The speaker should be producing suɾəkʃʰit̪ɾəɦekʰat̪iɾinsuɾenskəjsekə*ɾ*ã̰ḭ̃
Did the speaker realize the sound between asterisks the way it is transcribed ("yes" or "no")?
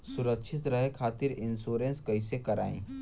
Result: yes